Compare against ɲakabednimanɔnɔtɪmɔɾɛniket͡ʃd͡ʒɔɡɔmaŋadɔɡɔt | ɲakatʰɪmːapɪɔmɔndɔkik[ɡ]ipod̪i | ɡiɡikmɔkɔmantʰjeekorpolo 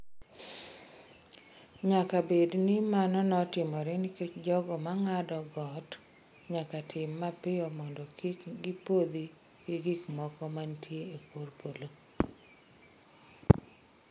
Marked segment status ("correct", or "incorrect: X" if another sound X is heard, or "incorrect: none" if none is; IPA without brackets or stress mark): correct